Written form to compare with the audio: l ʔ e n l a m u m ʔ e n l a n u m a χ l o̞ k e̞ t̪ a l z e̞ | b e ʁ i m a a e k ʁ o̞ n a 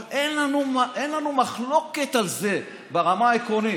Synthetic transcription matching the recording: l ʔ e n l a n u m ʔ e n l a n u m a χ l o̞ k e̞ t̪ a l z e̞ | b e ʁ a m a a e k ʁ o̞ n i